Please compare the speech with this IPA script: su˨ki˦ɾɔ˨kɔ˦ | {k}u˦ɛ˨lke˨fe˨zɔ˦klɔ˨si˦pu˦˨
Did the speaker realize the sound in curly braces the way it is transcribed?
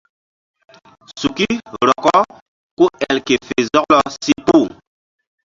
yes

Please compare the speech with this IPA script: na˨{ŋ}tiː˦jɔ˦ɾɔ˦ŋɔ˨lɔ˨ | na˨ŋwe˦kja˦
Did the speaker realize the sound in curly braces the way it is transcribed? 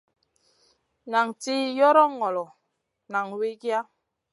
yes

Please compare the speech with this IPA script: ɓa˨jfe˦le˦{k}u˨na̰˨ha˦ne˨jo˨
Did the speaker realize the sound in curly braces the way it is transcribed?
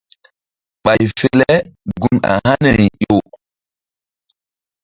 no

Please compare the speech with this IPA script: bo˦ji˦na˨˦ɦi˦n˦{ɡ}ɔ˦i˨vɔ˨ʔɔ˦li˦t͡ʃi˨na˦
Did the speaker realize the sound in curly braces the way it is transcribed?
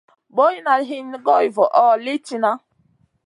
yes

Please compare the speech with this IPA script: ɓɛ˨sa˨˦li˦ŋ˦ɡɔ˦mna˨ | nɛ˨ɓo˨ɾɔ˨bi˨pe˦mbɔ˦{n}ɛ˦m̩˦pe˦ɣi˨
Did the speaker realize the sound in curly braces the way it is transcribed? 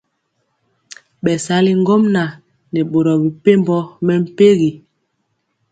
no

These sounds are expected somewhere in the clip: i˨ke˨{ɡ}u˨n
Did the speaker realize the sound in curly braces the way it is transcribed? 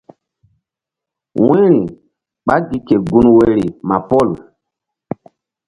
yes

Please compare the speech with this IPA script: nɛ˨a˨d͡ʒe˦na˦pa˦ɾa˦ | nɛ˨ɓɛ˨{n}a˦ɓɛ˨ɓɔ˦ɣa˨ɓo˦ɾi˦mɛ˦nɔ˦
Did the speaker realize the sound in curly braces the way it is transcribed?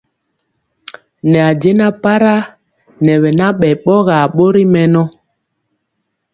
yes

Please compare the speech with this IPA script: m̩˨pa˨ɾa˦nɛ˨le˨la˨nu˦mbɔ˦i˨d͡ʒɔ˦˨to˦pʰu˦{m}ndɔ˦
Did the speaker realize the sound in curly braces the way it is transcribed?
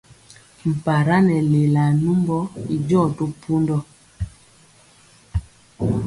no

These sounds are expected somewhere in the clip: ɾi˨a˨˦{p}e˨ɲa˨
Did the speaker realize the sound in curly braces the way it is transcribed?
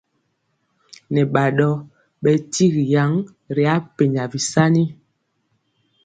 yes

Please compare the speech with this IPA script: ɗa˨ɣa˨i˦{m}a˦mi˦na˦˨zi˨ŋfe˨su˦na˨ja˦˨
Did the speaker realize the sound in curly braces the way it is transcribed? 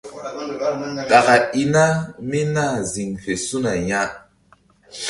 no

